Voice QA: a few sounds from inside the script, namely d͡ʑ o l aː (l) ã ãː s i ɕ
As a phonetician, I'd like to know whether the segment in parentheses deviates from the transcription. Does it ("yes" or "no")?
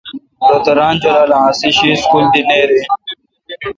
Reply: no